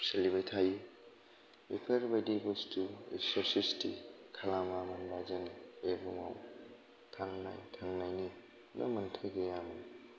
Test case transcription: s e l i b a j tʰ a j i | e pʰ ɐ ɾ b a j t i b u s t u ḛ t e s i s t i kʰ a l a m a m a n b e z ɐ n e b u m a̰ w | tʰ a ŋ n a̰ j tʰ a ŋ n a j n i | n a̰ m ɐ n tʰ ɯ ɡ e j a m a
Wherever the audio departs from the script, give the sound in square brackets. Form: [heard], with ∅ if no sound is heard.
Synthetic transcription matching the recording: s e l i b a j tʰ a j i | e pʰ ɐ ɾ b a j [d] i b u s t u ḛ [s] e s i s t i kʰ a l a m a m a n b [a] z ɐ n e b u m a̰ w | tʰ a ŋ n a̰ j tʰ a ŋ n a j n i | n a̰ m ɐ n tʰ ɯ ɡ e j a m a